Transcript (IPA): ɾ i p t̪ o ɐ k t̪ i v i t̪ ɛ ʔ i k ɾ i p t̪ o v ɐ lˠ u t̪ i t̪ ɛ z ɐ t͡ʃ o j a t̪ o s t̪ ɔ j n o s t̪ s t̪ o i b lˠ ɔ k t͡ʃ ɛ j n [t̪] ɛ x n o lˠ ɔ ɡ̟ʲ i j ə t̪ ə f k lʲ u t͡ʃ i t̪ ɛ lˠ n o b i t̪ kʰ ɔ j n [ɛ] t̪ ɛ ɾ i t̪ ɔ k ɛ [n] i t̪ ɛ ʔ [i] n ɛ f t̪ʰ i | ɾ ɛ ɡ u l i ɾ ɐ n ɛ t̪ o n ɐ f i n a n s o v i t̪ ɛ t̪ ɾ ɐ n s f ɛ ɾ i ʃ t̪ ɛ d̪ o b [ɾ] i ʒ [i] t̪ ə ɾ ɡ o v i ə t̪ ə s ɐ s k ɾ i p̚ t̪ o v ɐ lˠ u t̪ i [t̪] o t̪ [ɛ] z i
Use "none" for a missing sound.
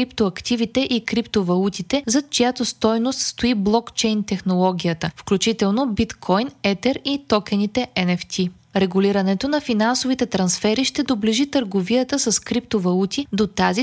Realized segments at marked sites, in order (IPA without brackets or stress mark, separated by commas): t̪, ɛ, n, ɛ, l, i, d̪, a